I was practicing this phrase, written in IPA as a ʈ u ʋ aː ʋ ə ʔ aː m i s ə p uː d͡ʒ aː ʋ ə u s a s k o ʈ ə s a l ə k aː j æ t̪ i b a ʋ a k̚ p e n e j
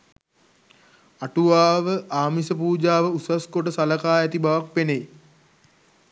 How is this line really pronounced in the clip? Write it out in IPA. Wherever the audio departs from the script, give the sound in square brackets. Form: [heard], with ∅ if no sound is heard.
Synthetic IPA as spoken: a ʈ u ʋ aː ʋ ə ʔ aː m i s ə p uː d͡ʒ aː ʋ ə u s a s k o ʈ ə s a l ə k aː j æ t̪ i b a ʋ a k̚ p e n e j